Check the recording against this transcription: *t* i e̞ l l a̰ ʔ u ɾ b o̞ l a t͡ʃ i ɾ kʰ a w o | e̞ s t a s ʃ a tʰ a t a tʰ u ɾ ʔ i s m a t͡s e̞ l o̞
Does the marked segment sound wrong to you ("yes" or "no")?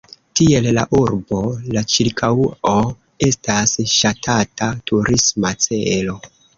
no